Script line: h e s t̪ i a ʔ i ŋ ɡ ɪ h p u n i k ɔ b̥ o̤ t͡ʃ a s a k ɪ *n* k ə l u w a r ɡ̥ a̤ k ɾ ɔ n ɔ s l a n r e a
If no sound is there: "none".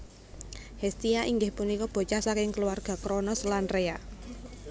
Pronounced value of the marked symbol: ŋ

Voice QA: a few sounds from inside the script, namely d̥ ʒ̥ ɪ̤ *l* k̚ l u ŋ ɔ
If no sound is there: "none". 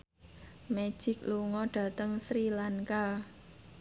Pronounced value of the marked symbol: none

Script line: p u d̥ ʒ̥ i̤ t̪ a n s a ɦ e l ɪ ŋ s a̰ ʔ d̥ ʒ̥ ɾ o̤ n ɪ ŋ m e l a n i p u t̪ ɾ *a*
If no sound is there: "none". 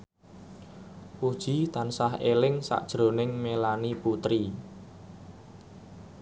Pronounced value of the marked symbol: i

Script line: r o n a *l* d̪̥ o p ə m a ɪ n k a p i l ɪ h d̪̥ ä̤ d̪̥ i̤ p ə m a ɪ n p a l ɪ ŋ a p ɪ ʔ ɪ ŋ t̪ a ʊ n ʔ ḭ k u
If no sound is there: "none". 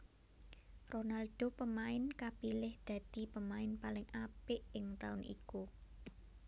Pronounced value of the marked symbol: l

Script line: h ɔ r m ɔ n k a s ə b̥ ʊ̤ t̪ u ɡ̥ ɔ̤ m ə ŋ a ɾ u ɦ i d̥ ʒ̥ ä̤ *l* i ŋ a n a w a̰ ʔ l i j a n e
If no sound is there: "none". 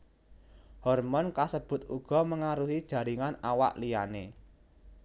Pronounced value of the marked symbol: ɾ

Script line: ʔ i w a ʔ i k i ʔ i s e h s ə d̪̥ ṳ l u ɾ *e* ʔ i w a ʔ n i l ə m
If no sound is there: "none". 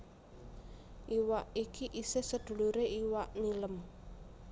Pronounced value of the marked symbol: e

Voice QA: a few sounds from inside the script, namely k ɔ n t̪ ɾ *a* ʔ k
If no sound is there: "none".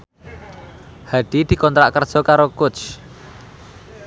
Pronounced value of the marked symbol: a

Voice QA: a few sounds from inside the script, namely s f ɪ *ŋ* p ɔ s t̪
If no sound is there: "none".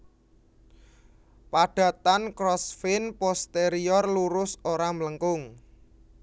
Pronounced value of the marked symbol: n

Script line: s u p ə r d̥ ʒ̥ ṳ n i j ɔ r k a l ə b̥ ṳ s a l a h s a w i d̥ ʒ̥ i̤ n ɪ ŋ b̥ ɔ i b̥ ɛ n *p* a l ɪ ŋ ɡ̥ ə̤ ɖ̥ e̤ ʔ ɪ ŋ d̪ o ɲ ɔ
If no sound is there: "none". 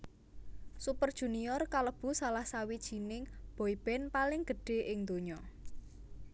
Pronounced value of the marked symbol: p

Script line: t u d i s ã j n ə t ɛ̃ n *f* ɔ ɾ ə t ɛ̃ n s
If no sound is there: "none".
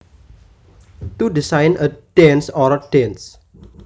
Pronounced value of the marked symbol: s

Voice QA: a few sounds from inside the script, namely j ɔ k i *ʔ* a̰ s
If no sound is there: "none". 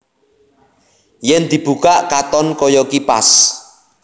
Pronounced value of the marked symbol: p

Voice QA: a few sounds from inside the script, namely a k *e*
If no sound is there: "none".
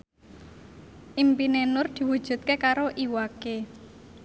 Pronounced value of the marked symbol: e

